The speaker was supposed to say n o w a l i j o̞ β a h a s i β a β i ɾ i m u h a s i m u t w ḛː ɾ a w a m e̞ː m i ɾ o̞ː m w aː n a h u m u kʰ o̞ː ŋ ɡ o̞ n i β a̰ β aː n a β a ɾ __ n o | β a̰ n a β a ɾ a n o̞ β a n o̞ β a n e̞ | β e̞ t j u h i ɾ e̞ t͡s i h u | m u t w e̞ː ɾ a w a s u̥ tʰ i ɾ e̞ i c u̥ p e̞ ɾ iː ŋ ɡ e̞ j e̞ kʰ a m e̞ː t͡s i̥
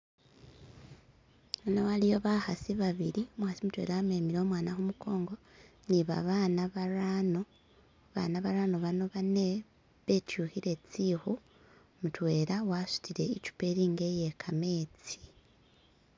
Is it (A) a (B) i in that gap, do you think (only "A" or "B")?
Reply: A